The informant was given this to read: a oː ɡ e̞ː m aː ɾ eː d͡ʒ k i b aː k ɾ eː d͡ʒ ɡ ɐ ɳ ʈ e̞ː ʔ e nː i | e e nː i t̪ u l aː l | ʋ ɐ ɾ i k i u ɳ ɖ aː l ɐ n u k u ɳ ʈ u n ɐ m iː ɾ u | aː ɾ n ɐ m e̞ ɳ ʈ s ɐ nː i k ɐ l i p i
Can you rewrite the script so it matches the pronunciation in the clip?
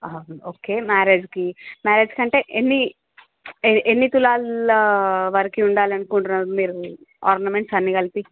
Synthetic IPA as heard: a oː k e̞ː m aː ɾ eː d͡ʒ k i m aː ɾ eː d͡ʒ k ɐ ɳ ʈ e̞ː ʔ e nː i | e e nː i t̪ u l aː l | ʋ ɐ ɾ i k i u ɳ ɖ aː l ɐ n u k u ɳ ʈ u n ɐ m iː ɾ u | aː ɾ n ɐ m e̞ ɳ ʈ s ɐ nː i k ɐ l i p i